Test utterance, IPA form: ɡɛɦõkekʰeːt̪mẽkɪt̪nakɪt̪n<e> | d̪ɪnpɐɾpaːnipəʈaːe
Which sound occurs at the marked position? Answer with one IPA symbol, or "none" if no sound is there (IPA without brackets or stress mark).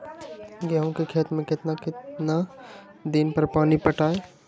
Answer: a